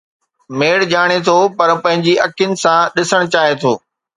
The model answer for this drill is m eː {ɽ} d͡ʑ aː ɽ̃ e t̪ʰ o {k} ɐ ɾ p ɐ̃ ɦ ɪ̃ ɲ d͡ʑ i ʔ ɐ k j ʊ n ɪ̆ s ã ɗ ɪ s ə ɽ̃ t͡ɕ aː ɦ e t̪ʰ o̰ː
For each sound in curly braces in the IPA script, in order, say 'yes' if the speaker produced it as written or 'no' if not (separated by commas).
yes, no